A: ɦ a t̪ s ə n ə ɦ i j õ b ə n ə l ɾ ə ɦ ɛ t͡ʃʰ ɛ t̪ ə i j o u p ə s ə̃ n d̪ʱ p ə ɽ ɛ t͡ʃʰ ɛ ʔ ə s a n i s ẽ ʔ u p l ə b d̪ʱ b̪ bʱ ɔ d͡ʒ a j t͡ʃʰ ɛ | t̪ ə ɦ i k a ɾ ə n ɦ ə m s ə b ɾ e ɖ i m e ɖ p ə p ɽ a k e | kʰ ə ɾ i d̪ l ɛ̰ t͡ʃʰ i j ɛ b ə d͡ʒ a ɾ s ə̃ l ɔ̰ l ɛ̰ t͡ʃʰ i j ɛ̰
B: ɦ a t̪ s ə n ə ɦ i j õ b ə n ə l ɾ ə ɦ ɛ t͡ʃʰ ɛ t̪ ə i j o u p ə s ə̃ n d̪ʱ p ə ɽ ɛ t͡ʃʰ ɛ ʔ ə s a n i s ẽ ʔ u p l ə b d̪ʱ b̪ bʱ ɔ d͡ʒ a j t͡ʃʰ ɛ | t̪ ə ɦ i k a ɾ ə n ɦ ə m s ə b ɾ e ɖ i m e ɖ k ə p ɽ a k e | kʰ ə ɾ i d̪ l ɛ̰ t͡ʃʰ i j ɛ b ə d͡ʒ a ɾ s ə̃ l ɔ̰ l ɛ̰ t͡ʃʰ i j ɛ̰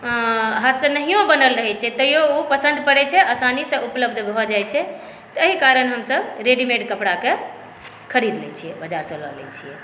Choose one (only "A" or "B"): B